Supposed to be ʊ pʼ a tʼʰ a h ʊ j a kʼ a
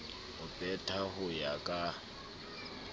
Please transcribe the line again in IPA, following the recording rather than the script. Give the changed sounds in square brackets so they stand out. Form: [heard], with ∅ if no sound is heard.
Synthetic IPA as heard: ʊ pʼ [ɛ] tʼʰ a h ʊ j a kʼ a